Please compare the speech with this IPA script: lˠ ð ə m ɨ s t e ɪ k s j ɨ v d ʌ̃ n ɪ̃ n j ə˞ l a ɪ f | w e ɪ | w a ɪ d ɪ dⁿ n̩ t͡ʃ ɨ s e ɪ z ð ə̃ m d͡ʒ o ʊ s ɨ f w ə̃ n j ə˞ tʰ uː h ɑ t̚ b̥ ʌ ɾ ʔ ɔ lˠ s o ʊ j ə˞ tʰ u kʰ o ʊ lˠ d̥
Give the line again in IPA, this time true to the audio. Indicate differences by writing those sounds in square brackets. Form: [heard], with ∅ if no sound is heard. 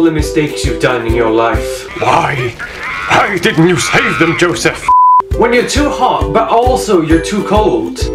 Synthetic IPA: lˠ ð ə m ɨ s t e ɪ k s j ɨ v d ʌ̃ n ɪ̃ n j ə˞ l a ɪ f | w [a] ɪ | w a ɪ d ɪ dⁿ n̩ t͡ʃ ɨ s e ɪ [v] ð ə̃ m d͡ʒ o ʊ s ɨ f w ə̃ n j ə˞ tʰ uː h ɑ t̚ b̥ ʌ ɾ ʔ ɔ lˠ s o ʊ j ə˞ tʰ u kʰ o ʊ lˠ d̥